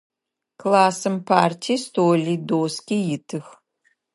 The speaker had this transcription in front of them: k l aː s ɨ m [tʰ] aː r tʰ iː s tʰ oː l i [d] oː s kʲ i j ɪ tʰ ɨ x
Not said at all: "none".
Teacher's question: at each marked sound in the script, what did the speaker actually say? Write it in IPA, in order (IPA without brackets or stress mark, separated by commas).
pʰ, d